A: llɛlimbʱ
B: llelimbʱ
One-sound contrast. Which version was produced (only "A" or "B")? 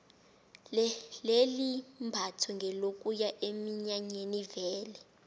B